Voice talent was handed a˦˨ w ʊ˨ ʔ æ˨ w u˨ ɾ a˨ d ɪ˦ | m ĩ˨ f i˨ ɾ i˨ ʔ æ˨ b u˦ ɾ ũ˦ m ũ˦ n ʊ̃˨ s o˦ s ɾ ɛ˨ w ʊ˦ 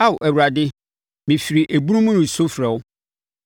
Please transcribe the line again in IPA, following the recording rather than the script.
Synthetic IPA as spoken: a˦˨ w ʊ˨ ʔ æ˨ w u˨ ɾ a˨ d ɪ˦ | m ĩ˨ f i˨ ɾ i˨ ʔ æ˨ b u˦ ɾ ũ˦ m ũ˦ n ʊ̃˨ s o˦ f ɾ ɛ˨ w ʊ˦

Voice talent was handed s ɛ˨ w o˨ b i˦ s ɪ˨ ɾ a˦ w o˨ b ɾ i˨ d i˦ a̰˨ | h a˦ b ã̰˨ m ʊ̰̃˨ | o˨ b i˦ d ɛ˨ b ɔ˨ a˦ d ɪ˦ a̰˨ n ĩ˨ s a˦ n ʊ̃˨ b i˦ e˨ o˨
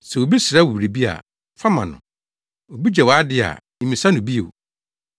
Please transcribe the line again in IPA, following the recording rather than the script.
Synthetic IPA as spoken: s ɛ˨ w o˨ b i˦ s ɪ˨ ɾ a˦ w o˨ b ɾ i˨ b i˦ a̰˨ | f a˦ m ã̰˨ n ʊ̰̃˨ | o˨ b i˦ d͡ʑ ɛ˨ w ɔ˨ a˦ d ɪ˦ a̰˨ m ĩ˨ s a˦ n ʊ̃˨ b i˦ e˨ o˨

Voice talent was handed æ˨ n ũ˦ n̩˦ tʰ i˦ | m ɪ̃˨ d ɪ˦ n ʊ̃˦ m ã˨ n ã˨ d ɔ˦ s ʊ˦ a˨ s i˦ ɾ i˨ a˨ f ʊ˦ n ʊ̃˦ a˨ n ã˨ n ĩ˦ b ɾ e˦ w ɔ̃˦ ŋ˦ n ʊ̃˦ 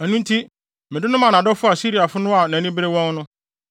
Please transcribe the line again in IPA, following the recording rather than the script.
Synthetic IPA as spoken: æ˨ n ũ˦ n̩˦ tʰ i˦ | m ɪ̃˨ d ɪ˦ n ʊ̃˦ m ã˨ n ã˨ d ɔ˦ f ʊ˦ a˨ s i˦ ɾ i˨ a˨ f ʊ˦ n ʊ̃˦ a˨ n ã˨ n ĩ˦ b ɾ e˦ w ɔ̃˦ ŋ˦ n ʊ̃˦

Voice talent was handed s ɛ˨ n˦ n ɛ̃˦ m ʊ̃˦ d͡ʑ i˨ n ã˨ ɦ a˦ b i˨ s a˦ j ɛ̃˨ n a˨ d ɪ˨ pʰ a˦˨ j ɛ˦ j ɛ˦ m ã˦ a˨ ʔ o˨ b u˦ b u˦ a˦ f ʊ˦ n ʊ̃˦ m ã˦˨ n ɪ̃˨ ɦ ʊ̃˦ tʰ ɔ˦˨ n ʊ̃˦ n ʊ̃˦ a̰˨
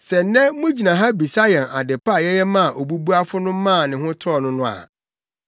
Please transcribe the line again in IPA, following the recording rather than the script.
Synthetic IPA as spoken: s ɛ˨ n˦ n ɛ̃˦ m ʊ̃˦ d͡ʑ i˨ n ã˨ ɦ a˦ b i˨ s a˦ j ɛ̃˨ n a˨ d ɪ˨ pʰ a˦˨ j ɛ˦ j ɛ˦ m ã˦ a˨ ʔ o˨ b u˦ b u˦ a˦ f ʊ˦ n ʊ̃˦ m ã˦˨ n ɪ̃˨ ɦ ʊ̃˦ tʰ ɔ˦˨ n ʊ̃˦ n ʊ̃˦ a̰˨

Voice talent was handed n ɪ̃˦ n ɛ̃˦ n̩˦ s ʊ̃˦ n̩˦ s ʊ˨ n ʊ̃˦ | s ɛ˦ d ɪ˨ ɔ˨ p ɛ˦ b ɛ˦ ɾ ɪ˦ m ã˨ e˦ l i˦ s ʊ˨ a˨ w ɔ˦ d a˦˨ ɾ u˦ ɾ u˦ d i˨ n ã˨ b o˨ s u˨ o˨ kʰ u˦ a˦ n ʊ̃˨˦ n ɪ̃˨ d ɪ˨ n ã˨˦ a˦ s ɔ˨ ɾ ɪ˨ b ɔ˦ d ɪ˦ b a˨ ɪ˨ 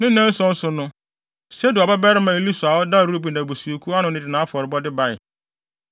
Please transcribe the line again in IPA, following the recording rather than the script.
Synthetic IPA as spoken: n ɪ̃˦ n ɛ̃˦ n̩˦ s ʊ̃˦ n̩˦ s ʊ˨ n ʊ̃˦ | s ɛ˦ d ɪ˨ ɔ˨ b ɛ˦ b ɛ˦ ɾ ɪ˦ m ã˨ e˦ l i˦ s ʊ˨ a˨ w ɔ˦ d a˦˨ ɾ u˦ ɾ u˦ b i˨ n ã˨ b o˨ s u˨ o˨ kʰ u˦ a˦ n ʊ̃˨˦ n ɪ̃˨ d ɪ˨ n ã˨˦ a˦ f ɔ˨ ɾ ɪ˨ b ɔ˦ d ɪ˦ b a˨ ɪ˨

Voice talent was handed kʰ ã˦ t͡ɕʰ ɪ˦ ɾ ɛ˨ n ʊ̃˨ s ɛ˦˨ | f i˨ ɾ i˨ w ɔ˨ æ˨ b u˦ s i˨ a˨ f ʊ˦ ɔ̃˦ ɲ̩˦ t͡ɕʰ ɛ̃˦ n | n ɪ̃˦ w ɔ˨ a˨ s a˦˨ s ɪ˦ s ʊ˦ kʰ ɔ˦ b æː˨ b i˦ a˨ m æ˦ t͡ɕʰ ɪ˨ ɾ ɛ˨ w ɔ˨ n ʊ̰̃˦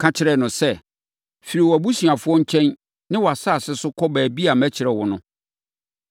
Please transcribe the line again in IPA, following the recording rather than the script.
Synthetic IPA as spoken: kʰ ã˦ t͡ɕʰ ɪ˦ ɾ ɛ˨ n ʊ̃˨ s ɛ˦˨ | f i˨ ɾ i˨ w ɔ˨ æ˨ b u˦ s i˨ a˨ f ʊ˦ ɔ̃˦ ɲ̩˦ t͡ɕʰ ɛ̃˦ n | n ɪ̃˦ w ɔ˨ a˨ s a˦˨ s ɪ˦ s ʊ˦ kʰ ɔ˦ b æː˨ b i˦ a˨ m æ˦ t͡ɕʰ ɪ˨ ɾ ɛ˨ w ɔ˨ n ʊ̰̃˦

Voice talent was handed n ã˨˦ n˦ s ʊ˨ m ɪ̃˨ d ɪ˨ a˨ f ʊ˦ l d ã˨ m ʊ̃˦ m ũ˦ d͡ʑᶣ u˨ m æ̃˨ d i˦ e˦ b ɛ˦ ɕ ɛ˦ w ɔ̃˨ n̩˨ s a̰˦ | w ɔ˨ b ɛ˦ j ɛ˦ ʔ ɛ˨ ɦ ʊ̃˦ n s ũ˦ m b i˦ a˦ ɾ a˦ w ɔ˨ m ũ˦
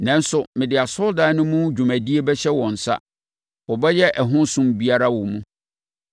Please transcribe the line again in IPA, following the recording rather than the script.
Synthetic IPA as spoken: n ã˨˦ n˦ s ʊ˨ m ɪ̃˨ d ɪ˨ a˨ s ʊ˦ l d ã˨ n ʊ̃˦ m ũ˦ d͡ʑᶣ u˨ m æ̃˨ d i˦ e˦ b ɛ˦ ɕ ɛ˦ w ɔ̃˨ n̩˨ s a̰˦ | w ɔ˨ b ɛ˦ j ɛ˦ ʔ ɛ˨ ɦ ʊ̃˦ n s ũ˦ m b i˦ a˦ ɾ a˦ w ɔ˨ m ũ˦

